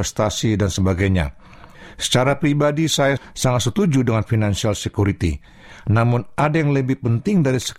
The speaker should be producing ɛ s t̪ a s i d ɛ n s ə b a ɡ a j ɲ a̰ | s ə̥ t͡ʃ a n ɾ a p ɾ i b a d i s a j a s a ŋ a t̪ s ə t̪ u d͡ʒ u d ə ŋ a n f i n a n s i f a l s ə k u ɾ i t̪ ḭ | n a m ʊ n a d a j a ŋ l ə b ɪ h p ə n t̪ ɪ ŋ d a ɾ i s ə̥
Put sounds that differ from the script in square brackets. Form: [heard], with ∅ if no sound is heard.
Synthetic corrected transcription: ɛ s t̪ a s i d [a] n s ə b a ɡ a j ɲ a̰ | s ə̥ t͡ʃ a [∅] ɾ a p ɾ i b a d i s a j a s a ŋ a t̪ s ə t̪ u d͡ʒ u d ə ŋ a n f i n a n s i [∅] a l s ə k u ɾ i t̪ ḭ | n a m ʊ n a d a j a ŋ l ə b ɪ h p ə n t̪ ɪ ŋ d a ɾ i s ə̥